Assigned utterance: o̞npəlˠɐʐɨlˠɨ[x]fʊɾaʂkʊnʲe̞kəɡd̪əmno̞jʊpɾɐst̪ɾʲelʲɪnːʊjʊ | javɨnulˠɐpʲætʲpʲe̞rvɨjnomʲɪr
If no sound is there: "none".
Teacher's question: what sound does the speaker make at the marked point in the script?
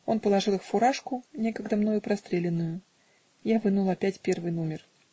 x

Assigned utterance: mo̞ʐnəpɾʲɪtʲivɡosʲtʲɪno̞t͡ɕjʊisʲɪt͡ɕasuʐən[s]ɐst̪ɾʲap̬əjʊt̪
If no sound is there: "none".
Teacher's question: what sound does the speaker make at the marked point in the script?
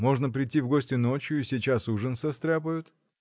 s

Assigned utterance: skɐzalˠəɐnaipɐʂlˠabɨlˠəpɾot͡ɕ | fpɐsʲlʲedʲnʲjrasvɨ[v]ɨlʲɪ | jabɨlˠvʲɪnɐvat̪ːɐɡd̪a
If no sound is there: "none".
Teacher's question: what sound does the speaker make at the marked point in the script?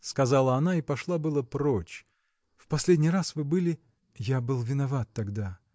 b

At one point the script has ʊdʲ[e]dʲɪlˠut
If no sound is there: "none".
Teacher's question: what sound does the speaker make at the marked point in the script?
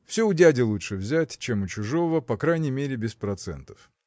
æ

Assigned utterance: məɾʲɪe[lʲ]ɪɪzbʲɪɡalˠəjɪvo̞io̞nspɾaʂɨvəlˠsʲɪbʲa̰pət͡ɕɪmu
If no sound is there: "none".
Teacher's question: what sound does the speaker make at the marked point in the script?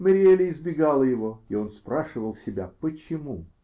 lʲ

